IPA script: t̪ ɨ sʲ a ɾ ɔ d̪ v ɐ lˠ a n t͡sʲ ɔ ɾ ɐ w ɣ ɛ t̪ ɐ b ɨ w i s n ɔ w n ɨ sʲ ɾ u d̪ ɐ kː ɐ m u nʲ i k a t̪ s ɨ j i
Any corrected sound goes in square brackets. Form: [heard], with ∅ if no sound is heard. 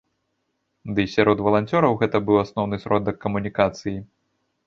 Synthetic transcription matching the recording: [d̪] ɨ sʲ a ɾ ɔ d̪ v ɐ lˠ a n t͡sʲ ɔ ɾ ɐ w ɣ ɛ t̪ ɐ b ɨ w [a] s n ɔ w n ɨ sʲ ɾ [ɔ] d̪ ɐ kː ɐ m u nʲ i k a t̪ s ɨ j i